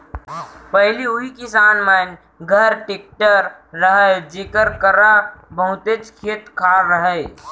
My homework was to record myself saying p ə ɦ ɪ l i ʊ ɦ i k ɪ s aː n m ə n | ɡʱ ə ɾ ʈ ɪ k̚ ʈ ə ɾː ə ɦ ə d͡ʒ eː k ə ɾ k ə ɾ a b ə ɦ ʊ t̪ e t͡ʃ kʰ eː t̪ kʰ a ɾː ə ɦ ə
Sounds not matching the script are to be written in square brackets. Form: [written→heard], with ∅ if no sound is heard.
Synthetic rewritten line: p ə ɦ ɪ l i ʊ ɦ i k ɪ s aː n m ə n | ɡʱ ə ɾ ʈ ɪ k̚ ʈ ə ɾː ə ɦ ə d͡ʒ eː k ə ɾ k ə ɾ a b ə ɦ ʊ t̪ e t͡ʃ kʰ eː t̪ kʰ a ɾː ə ɦ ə